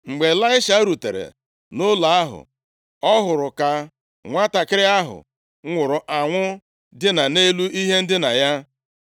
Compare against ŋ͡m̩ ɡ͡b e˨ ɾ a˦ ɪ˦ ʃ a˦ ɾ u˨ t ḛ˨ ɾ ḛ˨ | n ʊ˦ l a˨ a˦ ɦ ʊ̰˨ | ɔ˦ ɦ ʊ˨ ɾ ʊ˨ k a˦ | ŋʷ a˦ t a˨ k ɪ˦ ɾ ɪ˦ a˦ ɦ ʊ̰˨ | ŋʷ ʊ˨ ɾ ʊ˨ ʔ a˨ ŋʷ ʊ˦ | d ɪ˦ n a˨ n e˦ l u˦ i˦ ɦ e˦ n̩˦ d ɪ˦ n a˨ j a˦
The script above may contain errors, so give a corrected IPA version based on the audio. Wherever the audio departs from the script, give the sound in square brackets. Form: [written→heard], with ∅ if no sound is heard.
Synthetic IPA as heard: ŋ͡m̩ ɡ͡b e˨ [ɾ→l] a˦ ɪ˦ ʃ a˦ ɾ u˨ t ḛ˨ ɾ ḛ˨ | n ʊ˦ l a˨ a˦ ɦ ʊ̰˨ | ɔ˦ ɦ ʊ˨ ɾ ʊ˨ k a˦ | ŋʷ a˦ t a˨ k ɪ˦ ɾ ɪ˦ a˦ ɦ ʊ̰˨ | ŋʷ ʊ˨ ɾ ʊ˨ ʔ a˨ ŋʷ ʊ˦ | d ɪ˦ n a˨ n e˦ l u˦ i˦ ɦ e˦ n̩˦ d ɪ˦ n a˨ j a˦